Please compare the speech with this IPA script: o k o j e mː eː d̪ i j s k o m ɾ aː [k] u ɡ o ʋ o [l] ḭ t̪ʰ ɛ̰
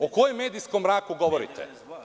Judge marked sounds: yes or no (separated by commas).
yes, no